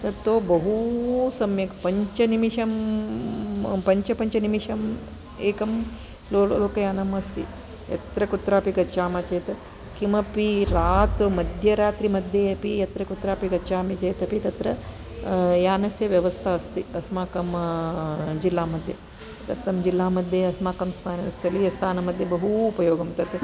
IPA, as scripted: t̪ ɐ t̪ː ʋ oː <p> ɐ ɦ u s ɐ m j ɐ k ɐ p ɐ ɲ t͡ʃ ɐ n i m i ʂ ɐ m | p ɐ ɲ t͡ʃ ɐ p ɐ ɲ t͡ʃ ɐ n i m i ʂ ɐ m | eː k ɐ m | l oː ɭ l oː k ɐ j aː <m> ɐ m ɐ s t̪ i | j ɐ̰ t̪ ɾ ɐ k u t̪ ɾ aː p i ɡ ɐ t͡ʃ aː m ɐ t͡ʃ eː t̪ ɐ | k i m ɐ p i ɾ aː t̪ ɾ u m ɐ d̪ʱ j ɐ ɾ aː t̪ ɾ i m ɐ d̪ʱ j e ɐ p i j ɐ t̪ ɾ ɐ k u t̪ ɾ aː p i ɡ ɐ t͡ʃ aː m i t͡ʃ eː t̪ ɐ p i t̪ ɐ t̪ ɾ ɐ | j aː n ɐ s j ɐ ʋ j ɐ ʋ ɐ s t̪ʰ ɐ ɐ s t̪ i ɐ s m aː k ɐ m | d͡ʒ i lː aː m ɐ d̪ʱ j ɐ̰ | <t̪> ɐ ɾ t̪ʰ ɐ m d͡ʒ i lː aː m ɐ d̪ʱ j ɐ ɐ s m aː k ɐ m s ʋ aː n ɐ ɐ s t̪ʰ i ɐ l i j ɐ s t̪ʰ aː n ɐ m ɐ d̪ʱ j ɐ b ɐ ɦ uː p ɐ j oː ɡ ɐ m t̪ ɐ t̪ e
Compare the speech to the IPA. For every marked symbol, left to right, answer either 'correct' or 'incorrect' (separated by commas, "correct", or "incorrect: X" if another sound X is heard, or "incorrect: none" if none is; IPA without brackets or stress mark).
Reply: incorrect: b, incorrect: n, correct